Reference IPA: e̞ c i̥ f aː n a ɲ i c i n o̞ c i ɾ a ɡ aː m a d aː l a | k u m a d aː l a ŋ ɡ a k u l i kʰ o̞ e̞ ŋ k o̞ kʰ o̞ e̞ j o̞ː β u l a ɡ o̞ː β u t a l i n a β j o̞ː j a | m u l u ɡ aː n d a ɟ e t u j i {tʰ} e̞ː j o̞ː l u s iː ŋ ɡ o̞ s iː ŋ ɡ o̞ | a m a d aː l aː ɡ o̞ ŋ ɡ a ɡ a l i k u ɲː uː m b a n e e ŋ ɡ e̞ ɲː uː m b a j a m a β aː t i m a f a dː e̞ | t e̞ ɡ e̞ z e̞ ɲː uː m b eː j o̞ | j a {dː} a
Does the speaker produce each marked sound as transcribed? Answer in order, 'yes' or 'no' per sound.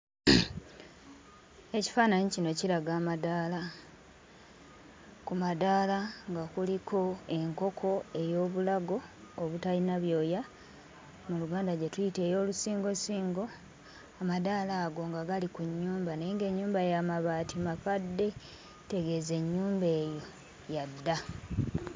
no, yes

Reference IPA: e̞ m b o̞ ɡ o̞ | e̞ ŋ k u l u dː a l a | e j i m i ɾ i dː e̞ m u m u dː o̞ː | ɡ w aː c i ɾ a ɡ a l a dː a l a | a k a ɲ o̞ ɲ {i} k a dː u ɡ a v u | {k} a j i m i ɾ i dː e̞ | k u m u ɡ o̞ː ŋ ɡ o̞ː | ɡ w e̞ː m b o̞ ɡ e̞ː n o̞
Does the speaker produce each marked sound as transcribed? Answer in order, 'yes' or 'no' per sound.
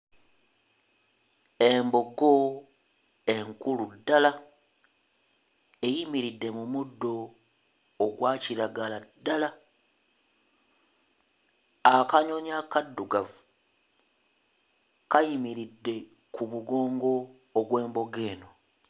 no, yes

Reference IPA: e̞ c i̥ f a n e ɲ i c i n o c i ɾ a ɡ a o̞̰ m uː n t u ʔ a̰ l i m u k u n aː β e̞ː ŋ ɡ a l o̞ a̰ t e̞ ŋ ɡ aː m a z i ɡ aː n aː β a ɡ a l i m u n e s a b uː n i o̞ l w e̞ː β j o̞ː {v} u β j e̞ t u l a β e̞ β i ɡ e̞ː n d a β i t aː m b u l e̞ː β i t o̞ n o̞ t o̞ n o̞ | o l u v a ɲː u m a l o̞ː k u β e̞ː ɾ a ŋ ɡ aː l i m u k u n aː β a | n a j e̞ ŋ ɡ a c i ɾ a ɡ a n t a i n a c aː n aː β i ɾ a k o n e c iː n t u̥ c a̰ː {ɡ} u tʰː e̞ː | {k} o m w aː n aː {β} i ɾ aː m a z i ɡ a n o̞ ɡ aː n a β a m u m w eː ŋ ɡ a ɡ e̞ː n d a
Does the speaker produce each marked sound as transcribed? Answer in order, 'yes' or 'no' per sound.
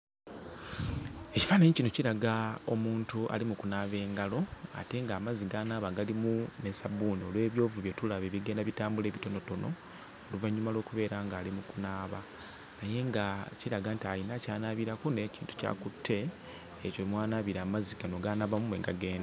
yes, no, no, yes

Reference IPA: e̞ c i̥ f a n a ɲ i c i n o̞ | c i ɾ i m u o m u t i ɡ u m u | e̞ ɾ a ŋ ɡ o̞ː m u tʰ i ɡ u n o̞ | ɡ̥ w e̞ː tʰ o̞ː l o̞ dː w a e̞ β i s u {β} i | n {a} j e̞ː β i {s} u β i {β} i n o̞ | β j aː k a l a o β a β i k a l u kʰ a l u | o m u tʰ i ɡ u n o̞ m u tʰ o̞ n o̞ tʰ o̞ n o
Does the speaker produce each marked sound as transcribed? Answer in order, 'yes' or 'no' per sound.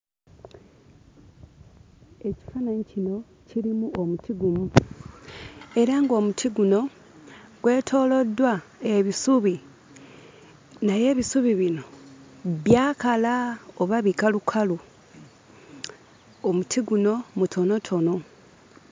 yes, yes, yes, yes

